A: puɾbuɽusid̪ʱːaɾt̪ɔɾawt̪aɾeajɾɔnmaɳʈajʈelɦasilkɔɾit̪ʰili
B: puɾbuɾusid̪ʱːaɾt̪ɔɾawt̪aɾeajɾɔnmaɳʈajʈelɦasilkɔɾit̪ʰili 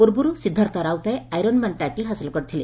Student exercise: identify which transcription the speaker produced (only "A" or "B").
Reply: B